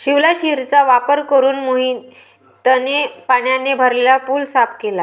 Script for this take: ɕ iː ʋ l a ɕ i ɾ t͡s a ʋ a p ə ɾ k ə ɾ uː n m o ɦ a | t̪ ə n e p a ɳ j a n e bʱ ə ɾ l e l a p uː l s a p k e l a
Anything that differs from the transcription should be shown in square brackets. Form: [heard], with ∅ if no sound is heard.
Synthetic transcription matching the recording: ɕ [i] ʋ l a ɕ i ɾ t͡s a ʋ a p ə ɾ k ə ɾ uː n m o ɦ [i] | t̪ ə n e p a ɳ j a n e bʱ ə ɾ l e l a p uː l s a p k e l a